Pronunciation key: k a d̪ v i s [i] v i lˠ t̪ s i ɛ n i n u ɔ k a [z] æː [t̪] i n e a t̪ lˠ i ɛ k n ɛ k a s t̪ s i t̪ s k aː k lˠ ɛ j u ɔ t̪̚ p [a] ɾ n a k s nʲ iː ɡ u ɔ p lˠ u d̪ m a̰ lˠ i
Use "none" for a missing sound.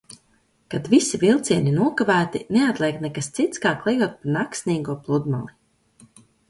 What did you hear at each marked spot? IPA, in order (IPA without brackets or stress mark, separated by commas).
i, v, t̪, a